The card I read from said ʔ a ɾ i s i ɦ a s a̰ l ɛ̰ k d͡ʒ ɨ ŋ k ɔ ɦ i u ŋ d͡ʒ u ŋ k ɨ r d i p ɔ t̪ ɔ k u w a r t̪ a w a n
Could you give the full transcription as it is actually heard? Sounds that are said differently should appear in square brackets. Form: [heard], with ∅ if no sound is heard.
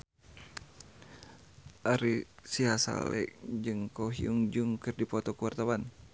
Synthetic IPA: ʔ a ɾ i s i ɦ a s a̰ l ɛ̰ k d͡ʒ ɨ ŋ k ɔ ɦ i u ŋ d͡ʒ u ŋ k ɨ r d i p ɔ t̪ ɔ k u w a r t̪ a w a n